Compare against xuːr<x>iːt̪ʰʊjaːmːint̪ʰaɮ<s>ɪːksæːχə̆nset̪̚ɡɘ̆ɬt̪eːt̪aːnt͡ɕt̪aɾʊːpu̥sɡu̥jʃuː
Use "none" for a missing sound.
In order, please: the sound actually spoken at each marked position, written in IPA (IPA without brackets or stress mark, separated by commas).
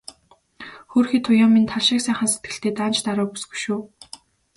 x, ʃ